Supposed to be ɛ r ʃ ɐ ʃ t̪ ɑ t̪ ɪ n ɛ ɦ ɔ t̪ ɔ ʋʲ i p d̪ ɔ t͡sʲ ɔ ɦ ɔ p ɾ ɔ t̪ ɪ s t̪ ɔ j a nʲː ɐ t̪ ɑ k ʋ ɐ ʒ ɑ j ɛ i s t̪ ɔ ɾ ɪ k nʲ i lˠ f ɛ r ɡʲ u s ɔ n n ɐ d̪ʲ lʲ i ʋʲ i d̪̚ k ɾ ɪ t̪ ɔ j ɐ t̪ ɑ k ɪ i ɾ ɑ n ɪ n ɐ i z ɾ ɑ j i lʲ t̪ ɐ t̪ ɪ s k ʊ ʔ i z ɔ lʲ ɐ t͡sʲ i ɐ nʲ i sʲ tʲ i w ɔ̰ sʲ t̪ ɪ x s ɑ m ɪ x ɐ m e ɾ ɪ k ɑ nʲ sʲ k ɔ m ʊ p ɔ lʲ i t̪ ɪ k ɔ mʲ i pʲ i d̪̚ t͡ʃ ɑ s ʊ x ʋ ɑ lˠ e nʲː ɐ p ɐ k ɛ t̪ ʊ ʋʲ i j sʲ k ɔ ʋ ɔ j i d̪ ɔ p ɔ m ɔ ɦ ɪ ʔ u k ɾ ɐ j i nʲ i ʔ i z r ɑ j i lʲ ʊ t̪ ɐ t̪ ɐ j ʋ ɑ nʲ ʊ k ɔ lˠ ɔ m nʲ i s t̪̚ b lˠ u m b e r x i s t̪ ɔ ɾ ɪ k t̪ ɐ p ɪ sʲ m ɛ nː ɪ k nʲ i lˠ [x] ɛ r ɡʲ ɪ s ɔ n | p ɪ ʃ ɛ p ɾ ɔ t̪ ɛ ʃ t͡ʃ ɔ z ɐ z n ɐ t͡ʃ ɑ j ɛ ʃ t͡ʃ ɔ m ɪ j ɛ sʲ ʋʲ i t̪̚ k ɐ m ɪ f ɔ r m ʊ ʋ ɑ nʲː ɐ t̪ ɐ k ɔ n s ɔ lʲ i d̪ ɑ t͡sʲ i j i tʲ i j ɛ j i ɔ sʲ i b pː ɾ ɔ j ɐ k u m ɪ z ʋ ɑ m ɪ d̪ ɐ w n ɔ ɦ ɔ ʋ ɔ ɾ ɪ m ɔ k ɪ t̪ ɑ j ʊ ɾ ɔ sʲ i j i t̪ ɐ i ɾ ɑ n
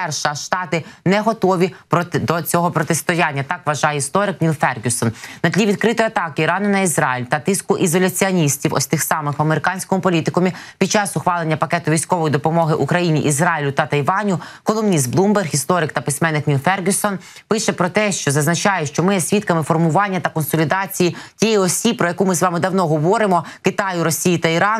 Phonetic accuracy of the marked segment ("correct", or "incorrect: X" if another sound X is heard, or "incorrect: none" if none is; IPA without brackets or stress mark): incorrect: f